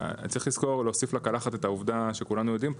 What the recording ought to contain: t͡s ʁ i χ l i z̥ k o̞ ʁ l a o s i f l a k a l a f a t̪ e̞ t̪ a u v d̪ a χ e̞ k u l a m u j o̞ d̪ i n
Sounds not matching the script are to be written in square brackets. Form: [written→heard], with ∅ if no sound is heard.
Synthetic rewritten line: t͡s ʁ i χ l i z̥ k o̞ ʁ l [a→e] o s i f l a k a l a [f→χ] a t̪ e̞ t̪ a u v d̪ a [χ→ʃ] e̞ k u l a [m→n] u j o̞ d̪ i [n→m]